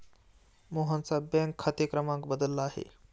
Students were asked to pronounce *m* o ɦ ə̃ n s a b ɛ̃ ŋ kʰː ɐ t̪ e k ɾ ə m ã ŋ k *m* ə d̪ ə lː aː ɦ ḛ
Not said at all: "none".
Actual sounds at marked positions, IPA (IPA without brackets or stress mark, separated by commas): m, b